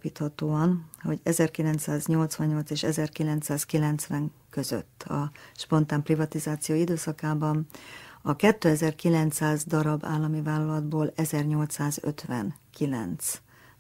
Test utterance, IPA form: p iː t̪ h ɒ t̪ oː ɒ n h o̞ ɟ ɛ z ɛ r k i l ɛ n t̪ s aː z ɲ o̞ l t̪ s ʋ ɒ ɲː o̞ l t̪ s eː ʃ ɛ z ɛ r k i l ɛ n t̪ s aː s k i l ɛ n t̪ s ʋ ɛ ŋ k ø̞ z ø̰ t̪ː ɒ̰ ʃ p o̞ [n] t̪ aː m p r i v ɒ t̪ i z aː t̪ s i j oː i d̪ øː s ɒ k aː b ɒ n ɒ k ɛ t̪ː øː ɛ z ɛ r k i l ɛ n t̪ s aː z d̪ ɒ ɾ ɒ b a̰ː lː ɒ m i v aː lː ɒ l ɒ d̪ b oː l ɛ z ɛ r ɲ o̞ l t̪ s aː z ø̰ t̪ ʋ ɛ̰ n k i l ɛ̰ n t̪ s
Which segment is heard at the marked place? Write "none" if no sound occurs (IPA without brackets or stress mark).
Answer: n